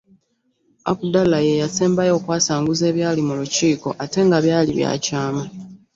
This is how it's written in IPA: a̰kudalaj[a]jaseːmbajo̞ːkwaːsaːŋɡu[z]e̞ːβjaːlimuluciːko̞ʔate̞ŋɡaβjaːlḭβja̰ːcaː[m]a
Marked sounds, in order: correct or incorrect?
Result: incorrect: e, correct, correct

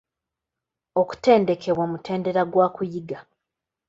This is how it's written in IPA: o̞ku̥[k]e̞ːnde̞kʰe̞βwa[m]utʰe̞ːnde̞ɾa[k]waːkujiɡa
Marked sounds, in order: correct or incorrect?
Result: incorrect: t, correct, incorrect: ɡ

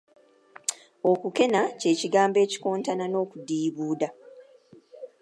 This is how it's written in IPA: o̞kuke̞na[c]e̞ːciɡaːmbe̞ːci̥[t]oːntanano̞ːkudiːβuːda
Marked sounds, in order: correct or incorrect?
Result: correct, incorrect: k

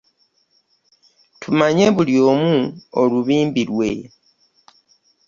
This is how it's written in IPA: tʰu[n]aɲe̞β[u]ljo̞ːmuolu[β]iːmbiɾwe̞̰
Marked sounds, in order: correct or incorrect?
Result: incorrect: m, correct, correct

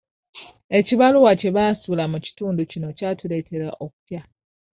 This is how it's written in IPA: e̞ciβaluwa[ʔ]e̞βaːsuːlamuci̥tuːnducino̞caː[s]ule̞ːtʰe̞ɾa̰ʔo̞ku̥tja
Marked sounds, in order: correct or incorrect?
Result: incorrect: c, incorrect: t

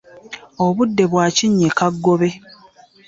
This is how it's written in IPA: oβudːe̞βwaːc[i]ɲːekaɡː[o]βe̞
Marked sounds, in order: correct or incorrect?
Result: correct, correct

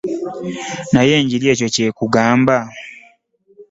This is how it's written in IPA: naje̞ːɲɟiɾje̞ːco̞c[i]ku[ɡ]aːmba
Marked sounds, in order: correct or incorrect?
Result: incorrect: e, correct

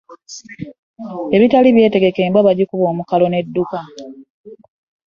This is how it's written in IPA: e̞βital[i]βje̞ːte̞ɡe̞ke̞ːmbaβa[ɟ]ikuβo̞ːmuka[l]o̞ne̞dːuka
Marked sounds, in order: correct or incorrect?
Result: correct, correct, correct

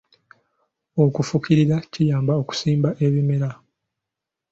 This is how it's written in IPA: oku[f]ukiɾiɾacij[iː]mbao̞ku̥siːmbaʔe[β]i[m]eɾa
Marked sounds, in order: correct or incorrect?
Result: correct, incorrect: aː, correct, correct

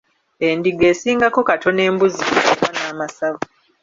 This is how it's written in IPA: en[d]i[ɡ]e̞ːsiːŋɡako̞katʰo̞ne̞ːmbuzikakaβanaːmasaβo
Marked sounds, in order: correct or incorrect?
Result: correct, correct

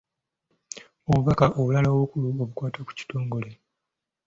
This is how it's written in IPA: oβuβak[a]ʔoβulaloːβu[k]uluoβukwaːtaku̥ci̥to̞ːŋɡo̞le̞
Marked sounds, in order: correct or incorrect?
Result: correct, correct

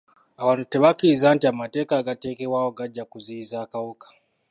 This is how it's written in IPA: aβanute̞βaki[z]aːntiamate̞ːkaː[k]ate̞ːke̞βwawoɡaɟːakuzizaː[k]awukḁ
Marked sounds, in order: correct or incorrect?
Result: correct, incorrect: ɡ, correct

